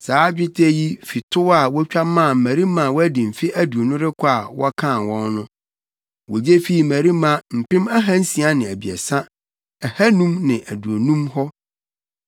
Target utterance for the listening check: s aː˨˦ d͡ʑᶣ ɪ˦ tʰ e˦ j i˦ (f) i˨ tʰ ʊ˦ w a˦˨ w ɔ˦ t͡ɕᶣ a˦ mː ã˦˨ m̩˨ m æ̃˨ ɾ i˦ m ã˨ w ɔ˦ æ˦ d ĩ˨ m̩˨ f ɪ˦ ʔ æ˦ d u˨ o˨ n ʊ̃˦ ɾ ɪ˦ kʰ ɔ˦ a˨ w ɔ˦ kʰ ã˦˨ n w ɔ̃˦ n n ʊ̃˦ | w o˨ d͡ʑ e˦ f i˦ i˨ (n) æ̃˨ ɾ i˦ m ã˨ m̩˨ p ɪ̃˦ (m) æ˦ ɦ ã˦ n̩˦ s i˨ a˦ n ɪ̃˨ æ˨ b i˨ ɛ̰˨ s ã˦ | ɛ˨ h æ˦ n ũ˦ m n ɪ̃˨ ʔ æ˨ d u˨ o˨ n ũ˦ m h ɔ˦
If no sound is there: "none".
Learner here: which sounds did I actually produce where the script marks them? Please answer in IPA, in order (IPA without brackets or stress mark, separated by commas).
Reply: f, m, m